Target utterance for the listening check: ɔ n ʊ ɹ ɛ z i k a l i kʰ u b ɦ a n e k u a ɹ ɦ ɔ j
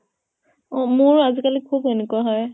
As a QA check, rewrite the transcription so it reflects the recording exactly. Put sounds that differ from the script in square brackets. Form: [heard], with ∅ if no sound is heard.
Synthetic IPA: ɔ [m] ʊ ɹ [a] z i k a l i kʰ u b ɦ [e] n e k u a [∅] ɦ ɔ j